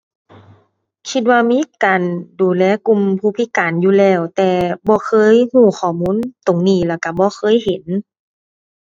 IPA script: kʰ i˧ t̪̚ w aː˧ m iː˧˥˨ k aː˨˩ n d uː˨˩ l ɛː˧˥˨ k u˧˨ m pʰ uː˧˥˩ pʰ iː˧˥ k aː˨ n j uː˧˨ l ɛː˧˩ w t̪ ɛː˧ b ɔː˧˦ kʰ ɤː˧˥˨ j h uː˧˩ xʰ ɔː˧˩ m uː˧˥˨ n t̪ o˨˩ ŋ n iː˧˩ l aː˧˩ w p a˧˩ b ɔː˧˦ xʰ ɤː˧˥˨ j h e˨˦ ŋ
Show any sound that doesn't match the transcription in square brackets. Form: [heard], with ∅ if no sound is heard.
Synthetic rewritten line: kʰ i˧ t̪̚ w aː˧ m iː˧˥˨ k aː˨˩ n d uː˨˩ l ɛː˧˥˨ k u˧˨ m pʰ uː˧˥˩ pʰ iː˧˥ k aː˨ n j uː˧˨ l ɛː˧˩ w t̪ ɛː˧ b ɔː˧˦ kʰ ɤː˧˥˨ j h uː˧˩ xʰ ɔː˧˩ m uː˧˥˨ n t̪ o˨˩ ŋ n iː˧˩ l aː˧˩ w [k] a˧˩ b ɔː˧˦ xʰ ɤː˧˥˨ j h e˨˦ [n]

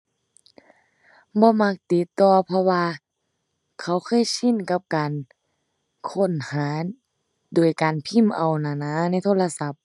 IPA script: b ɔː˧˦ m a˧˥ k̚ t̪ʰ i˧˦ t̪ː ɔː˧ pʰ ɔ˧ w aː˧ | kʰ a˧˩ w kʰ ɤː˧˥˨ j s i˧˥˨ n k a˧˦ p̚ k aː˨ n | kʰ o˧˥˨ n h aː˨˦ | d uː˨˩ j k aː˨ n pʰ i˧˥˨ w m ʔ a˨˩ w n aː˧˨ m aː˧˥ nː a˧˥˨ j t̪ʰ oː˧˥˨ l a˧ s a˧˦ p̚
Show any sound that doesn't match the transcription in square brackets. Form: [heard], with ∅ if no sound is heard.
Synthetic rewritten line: b ɔː˧˦ m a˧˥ k̚ [t̪] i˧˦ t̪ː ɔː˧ pʰ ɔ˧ w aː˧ | kʰ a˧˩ w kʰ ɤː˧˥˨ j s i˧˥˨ n k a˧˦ p̚ k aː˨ n | kʰ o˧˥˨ n h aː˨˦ | d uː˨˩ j k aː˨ n pʰ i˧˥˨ [∅] m ʔ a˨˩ w n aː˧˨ [n] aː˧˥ [n] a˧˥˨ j t̪ʰ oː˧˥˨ l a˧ s a˧˦ p̚

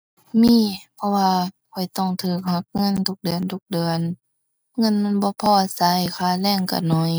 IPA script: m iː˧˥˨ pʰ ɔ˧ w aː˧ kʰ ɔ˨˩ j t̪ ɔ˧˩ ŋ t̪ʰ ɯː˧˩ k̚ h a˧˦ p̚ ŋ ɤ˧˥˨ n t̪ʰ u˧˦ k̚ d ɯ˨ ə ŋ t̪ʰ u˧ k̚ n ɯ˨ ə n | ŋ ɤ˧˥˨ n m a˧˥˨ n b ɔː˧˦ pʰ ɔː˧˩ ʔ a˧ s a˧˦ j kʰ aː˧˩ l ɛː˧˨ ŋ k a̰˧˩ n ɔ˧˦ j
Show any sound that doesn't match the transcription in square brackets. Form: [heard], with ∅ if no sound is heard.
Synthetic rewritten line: m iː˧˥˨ pʰ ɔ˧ w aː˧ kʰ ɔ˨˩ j t̪ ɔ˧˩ ŋ t̪ʰ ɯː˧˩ k̚ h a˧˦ [k̚] ŋ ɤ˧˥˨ n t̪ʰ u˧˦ k̚ d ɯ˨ ə [n] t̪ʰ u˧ k̚ [d] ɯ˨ ə n | ŋ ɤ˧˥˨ n m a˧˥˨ n b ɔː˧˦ pʰ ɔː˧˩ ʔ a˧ s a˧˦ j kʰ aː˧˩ l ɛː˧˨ ŋ k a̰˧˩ n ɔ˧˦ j

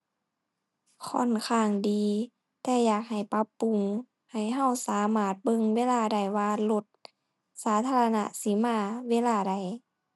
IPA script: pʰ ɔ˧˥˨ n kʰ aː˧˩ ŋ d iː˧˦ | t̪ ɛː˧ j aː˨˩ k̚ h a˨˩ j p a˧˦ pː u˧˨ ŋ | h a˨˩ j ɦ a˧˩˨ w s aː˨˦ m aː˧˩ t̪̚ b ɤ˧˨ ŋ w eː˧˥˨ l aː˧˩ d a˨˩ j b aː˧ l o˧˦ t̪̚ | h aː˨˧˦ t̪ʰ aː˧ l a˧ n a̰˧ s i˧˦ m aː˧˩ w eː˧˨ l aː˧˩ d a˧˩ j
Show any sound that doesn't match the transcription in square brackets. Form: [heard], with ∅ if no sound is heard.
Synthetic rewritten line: [kʰ] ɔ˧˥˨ n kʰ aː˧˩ ŋ d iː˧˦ | t̪ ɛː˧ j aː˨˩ k̚ h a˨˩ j p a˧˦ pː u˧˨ ŋ | h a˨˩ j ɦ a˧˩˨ w s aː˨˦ m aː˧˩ t̪̚ b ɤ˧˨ ŋ w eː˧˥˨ l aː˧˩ d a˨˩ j [w] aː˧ l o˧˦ t̪̚ | [s] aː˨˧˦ t̪ʰ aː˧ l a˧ n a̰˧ s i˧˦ m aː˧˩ w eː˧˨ l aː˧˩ d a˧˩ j

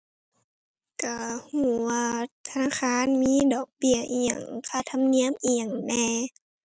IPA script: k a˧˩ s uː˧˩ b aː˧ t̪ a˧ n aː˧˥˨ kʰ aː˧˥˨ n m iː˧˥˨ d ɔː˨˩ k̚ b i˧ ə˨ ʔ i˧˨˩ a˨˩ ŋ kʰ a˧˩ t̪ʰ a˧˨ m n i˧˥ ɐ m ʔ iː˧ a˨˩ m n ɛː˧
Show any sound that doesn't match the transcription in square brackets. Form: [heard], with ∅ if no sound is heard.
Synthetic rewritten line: k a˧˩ [h] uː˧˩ [w] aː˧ [t̪ʰ] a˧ n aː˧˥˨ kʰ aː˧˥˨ n m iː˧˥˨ d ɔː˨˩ k̚ b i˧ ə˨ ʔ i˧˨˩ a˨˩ ŋ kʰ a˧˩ t̪ʰ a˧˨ m n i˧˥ [ə] m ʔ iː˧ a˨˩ [ŋ] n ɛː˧

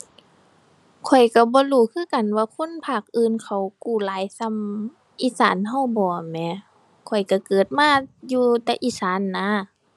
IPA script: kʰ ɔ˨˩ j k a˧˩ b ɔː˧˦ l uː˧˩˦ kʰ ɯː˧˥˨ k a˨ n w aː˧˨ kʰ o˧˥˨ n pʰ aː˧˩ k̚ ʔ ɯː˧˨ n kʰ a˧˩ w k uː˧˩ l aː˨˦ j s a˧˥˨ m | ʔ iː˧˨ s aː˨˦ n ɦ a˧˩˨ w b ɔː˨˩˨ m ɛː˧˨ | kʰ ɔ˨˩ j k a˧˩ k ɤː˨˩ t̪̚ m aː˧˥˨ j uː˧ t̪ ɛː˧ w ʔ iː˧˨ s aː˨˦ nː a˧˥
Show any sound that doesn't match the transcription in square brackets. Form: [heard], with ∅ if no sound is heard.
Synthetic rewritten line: kʰ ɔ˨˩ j k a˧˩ b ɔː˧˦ l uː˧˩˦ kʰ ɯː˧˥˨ k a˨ n w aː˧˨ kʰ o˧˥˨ n pʰ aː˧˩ k̚ ʔ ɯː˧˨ n kʰ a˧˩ w k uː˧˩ l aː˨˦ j s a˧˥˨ m | ʔ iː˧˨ s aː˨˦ n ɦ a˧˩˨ w b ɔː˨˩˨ m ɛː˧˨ | kʰ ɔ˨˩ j k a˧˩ k ɤː˨˩ t̪̚ m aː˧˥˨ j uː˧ t̪ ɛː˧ [∅] ʔ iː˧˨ s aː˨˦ nː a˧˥

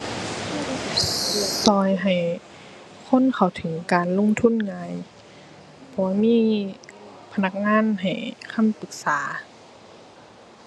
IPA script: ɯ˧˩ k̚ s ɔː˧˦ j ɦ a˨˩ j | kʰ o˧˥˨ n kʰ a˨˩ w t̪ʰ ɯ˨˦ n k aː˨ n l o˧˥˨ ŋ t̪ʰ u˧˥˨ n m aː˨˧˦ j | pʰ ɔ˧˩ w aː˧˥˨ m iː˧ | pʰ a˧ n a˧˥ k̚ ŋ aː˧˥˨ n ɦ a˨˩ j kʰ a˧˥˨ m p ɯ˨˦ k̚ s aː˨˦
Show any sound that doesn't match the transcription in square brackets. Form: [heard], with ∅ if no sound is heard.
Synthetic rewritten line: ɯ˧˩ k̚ s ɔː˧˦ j ɦ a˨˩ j | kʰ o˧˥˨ n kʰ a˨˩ w t̪ʰ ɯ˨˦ [ŋ] k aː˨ n l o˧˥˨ ŋ t̪ʰ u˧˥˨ n [ŋ] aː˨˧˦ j | pʰ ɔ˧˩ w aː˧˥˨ m [iː˧˥] | pʰ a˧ n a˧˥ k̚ ŋ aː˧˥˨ n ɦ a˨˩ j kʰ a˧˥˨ m p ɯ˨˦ k̚ s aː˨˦

